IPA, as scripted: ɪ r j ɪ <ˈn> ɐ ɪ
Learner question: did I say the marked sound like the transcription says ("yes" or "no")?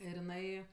yes